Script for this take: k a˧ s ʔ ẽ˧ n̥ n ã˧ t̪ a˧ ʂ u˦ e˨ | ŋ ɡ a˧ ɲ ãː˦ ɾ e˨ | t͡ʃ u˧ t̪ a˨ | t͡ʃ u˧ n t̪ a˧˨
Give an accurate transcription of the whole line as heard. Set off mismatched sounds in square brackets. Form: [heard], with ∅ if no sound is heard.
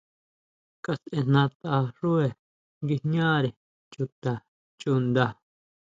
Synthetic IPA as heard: k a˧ s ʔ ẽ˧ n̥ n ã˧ t̪ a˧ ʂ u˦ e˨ | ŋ ɡ [i˧] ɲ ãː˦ ɾ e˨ | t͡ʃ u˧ t̪ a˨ | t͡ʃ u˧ n [d̪] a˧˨